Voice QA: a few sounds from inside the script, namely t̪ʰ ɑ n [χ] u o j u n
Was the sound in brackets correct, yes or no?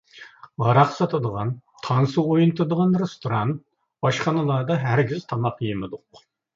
no